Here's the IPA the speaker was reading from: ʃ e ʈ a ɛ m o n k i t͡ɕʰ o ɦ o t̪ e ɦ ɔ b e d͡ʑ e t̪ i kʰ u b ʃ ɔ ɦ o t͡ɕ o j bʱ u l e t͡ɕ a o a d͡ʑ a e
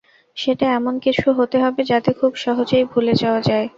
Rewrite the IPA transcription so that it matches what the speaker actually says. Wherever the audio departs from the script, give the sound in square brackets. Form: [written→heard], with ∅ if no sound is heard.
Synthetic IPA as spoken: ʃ e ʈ a ɛ m o n k i t͡ɕʰ [o→u] ɦ o t̪ e ɦ ɔ b e d͡ʑ [e→a] t̪ [i→e] kʰ u b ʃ ɔ ɦ o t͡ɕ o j bʱ u l e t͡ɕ a o a d͡ʑ a e